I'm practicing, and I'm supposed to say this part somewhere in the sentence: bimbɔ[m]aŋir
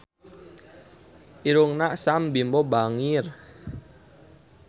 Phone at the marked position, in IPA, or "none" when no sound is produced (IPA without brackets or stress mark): b